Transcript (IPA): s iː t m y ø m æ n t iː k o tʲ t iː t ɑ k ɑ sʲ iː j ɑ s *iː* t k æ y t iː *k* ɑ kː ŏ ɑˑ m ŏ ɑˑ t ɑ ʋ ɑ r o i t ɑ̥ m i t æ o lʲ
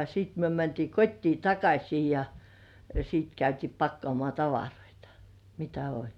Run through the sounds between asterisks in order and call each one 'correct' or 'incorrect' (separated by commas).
correct, incorrect